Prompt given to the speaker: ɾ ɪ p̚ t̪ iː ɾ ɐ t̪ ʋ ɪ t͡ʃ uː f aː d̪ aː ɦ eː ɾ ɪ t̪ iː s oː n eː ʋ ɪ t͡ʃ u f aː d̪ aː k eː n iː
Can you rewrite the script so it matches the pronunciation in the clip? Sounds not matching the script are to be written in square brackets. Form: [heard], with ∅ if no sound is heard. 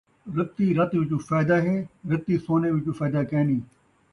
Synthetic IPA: ɾ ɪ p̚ t̪ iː ɾ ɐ t̪ ʋ ɪ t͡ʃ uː f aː d̪ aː ɦ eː ɾ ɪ t̪ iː s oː n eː ʋ ɪ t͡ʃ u f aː d̪ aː k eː n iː